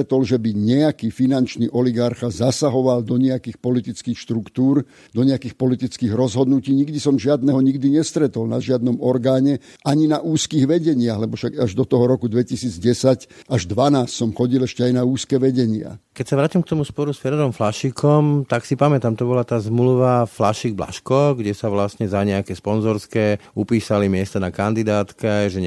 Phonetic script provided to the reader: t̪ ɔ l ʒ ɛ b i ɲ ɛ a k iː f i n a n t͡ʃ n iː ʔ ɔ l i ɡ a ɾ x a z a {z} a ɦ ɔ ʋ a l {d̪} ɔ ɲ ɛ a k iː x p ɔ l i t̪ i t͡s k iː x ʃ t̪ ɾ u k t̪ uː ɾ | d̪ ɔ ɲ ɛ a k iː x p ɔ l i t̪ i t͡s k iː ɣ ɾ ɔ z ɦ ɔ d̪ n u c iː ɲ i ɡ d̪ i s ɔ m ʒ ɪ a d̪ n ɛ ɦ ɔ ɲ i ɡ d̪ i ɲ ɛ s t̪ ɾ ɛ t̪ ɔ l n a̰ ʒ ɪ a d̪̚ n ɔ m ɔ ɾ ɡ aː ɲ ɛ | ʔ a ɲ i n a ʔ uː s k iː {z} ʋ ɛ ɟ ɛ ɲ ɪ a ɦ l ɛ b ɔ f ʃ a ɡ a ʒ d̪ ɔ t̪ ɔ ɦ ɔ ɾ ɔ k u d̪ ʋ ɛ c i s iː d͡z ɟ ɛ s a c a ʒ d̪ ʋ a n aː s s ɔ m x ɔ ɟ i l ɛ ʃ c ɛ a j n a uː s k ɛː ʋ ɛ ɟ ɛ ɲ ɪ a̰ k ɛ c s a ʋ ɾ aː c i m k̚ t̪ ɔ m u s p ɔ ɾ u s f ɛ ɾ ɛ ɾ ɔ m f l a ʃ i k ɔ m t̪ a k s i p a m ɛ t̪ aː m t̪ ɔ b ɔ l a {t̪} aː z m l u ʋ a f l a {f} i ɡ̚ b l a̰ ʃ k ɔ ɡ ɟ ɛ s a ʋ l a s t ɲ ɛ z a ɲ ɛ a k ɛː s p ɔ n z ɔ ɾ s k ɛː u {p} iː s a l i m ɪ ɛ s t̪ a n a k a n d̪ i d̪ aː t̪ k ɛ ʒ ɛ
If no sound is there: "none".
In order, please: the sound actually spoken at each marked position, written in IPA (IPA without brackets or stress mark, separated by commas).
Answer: s, d̪, ɣ, t̪, ʃ, p